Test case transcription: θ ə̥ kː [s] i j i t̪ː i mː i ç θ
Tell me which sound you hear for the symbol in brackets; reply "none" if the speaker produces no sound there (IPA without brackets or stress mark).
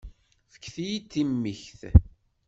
θ